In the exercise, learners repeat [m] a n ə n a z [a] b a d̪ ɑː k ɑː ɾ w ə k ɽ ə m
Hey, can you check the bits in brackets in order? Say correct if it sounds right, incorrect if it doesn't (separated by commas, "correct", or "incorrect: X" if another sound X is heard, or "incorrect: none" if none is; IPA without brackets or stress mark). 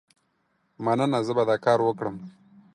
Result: correct, incorrect: ə